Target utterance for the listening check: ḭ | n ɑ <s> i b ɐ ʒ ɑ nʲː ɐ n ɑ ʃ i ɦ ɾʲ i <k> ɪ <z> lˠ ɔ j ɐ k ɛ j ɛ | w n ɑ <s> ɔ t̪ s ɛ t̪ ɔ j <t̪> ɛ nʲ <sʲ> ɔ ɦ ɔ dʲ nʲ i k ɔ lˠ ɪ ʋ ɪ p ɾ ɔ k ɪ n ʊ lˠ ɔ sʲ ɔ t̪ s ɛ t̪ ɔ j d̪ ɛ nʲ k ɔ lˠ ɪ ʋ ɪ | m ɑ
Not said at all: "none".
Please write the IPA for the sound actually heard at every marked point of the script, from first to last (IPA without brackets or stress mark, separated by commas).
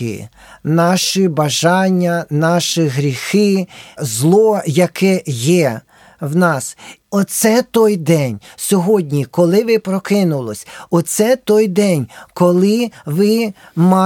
ʃ, x, z, s, d̪, sʲ